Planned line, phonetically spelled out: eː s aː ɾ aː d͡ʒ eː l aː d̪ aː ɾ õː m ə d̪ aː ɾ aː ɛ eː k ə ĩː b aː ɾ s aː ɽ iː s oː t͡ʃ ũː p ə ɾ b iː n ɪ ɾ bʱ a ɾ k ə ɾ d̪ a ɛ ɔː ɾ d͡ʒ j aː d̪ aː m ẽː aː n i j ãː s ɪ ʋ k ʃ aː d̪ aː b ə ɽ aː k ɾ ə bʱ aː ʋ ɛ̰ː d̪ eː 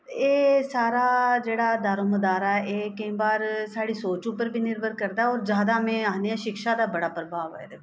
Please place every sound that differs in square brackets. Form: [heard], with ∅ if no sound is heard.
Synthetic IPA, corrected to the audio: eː s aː ɾ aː d͡ʒ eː [ɽ] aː d̪ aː ɾ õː m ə d̪ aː ɾ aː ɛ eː k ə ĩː b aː ɾ s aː ɽ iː s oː t͡ʃ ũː p ə ɾ b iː n ɪ ɾ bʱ [ə] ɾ k ə ɾ d̪ a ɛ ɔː ɾ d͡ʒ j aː d̪ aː m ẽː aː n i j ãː [ʃ] ɪ [∅] k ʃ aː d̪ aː b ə ɽ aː [p] ɾ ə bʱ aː ʋ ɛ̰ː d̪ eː